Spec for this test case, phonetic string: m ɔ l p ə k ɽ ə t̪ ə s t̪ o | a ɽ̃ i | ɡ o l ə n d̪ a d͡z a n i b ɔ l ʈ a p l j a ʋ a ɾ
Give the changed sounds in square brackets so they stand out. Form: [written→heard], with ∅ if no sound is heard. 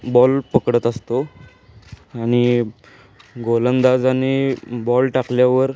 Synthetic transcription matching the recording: [m→b] ɔ l p ə k ɽ ə t̪ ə s t̪ o | a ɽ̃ i | ɡ o l ə n d̪ a d͡z a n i b ɔ l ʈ a [p→k] l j a ʋ [a→ə] ɾ